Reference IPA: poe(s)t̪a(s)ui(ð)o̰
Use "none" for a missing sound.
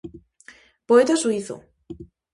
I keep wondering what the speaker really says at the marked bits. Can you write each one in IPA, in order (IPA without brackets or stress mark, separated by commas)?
none, s, θ